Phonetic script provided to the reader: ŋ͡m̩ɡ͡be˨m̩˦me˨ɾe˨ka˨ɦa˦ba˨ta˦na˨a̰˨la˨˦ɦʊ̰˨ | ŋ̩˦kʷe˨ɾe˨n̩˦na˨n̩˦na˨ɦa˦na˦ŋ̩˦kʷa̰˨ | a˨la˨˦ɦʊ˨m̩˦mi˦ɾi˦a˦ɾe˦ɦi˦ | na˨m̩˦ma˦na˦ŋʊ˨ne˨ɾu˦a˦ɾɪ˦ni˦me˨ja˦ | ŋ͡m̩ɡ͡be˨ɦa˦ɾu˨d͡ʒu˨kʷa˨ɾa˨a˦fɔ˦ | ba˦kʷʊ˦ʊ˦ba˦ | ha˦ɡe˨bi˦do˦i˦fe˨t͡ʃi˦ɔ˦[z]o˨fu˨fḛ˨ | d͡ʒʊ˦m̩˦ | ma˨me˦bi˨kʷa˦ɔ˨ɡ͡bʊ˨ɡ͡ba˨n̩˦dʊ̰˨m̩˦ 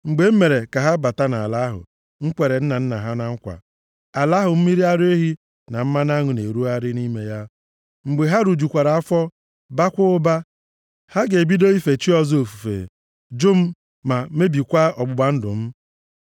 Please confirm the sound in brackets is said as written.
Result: yes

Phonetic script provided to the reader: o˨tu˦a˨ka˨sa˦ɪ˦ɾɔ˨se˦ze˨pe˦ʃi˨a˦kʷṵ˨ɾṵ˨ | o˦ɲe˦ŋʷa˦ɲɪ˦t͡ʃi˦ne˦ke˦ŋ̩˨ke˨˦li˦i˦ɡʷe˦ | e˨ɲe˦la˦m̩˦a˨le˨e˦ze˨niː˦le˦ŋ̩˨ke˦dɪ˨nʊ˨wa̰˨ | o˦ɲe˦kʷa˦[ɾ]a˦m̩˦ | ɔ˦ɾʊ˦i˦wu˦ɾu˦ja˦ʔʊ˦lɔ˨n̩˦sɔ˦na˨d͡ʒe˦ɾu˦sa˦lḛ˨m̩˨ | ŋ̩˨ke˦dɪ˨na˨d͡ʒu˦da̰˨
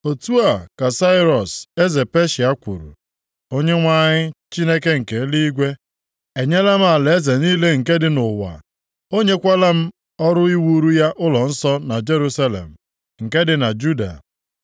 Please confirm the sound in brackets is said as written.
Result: no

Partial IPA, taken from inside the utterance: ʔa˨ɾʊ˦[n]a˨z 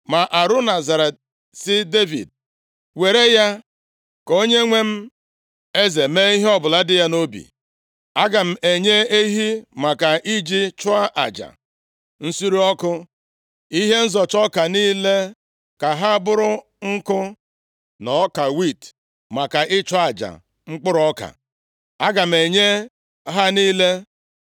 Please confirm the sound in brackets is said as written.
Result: yes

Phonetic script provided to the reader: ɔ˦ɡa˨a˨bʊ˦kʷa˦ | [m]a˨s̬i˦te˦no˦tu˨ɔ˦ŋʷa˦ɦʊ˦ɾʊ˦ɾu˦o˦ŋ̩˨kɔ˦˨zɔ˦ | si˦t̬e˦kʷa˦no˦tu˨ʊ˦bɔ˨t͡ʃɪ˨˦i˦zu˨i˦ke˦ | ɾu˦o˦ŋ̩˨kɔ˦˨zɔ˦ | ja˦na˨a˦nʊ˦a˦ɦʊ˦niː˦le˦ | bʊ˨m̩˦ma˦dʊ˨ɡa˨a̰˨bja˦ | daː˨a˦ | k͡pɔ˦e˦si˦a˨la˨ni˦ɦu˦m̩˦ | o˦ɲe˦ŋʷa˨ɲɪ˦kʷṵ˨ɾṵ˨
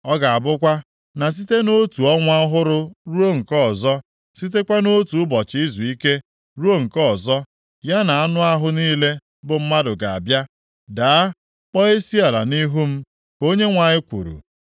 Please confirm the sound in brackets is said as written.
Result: no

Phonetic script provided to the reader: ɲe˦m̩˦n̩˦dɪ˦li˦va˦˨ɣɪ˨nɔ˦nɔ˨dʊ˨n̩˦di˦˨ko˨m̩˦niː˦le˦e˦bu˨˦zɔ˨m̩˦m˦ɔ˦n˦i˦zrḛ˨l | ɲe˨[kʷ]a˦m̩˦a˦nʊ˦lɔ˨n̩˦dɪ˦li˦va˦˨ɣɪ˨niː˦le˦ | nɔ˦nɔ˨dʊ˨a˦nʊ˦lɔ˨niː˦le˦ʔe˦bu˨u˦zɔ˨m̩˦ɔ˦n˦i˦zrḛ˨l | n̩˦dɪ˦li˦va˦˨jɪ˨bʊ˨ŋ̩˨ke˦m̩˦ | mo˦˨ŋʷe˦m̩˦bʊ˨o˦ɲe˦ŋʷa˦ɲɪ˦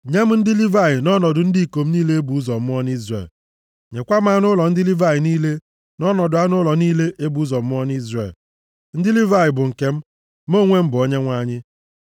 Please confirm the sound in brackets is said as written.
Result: yes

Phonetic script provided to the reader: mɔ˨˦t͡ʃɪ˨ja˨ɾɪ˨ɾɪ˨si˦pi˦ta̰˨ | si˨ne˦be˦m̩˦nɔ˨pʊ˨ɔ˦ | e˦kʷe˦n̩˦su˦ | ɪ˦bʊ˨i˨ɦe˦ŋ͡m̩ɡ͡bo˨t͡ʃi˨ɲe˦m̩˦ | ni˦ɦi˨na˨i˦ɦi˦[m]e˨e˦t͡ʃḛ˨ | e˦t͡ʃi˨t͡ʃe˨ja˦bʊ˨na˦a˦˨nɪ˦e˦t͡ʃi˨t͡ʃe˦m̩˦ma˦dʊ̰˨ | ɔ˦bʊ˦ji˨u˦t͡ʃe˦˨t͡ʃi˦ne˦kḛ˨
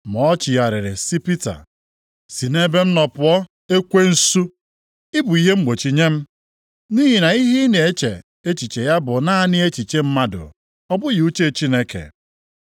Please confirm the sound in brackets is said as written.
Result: no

